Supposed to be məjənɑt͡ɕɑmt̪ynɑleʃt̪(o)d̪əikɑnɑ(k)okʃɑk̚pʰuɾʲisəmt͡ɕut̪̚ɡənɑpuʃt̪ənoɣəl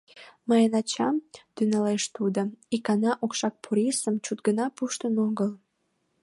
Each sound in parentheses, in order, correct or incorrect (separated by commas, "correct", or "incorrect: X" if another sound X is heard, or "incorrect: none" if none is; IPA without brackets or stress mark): incorrect: u, incorrect: ʔ